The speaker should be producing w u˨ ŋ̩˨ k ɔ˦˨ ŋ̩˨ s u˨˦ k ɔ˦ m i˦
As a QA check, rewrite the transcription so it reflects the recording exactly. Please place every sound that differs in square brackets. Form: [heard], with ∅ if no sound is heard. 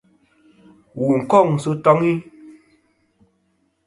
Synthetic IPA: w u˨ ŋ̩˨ k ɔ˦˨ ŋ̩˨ s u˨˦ [t] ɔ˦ [ŋ] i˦